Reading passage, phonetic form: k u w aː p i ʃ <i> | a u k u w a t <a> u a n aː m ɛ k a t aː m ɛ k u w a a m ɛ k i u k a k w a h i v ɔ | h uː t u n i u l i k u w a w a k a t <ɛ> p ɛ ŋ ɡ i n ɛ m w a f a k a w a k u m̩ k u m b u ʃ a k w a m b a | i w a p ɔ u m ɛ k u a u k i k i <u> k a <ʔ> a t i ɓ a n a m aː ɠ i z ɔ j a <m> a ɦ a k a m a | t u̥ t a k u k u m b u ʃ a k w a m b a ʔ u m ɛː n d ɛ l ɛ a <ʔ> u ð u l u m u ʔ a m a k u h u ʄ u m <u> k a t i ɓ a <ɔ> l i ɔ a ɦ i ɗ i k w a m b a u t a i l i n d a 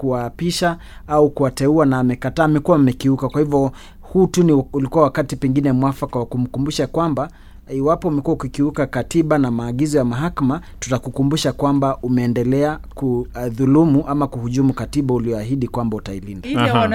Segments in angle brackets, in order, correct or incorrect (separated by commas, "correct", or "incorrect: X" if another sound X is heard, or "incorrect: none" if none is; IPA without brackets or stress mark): incorrect: a, incorrect: ɛ, incorrect: i, correct, incorrect: k, correct, incorrect: k, correct, incorrect: u